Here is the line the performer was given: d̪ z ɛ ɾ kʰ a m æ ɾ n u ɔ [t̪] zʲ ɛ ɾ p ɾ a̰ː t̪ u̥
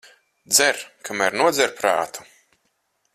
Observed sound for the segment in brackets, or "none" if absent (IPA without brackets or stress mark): d̪